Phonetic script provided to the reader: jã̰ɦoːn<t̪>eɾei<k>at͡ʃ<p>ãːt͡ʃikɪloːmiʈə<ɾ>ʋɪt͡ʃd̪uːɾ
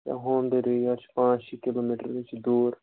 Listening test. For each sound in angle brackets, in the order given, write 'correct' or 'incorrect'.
incorrect, incorrect, correct, correct

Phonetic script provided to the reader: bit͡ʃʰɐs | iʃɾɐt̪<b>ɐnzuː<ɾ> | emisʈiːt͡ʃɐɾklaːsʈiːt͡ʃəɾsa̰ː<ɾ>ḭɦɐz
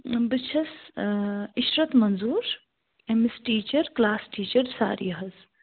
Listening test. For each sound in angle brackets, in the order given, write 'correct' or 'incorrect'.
incorrect, correct, correct

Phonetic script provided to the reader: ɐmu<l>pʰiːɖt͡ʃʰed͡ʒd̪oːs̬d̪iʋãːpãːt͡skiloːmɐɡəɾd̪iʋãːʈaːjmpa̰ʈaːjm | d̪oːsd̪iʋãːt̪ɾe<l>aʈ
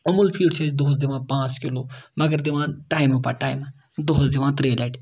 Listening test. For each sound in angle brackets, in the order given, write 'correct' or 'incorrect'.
correct, correct

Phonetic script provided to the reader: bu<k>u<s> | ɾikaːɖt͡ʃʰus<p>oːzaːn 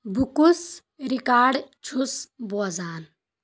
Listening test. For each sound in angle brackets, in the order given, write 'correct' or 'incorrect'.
correct, correct, incorrect

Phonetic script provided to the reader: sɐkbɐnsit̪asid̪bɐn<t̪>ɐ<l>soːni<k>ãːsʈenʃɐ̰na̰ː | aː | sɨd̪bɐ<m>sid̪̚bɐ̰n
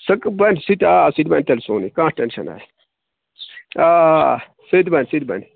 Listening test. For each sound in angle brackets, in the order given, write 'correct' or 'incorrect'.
correct, correct, correct, incorrect

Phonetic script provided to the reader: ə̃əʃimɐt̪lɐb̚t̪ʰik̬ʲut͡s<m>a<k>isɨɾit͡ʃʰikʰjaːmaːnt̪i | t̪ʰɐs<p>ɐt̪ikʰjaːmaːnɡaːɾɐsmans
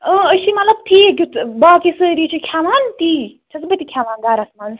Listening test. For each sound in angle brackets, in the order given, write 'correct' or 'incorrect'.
incorrect, correct, incorrect

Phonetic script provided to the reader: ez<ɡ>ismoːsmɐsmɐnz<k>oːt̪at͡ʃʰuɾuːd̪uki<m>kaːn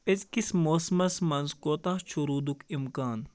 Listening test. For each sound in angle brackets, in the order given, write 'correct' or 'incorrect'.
incorrect, correct, correct

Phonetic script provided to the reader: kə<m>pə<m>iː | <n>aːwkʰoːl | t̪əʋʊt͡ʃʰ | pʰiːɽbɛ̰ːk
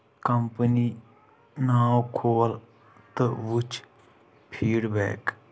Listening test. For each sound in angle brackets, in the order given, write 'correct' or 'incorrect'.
correct, incorrect, correct

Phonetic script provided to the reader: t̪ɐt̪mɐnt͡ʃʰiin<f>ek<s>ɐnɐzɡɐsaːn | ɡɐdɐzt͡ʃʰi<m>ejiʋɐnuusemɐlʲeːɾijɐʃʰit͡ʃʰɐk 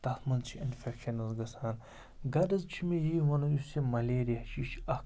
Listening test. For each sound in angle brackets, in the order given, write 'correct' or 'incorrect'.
correct, incorrect, correct

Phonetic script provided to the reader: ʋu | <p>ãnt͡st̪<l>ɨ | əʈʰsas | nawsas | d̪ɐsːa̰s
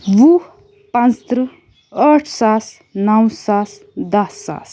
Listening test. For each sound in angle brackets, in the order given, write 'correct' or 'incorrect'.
correct, incorrect

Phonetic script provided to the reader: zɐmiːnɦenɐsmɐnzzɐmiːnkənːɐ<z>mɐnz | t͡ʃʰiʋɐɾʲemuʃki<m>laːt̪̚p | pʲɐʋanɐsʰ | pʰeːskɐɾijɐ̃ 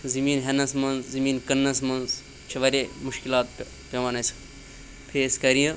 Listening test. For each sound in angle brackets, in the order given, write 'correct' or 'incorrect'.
incorrect, incorrect

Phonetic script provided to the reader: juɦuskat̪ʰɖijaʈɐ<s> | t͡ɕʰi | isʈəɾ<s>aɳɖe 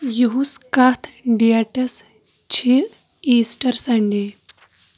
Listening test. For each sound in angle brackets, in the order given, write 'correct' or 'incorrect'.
correct, correct

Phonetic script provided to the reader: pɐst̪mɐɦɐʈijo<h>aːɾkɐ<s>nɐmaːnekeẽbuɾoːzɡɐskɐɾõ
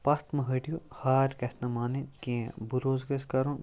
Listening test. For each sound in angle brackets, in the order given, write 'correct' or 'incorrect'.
correct, correct

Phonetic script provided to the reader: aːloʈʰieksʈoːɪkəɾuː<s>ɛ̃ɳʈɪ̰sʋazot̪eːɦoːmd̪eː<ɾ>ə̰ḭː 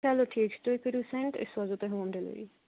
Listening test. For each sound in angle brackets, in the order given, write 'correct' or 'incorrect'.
correct, incorrect

